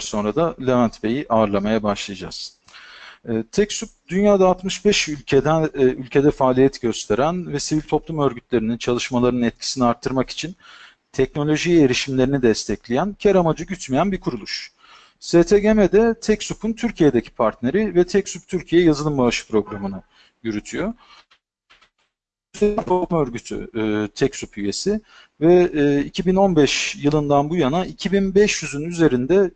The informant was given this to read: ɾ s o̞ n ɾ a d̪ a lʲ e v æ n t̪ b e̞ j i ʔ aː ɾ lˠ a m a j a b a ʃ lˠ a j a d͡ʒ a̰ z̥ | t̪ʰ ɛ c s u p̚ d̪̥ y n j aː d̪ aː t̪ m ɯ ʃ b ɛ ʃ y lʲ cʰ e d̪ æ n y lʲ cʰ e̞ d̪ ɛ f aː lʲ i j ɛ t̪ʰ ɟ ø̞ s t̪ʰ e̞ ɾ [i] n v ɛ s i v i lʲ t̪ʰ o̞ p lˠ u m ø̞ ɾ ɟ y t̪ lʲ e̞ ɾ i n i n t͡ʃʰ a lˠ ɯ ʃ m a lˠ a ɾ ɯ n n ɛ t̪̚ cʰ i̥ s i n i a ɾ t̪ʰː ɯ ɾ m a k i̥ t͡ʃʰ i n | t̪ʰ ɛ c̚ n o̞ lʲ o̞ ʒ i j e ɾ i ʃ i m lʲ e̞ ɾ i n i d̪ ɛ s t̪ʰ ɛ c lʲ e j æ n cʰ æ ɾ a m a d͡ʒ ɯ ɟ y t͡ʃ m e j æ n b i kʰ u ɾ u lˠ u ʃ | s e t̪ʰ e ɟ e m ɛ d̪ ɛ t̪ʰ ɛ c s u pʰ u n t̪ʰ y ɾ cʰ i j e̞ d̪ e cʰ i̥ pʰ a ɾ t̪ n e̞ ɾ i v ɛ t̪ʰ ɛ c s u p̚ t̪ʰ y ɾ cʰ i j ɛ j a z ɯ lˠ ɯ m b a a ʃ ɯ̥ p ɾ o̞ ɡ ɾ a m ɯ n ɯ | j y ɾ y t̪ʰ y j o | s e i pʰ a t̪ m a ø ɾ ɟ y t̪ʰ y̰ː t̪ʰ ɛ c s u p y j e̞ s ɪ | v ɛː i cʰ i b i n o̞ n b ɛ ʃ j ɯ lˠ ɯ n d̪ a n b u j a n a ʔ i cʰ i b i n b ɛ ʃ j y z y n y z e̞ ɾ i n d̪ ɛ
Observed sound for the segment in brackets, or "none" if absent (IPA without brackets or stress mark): æ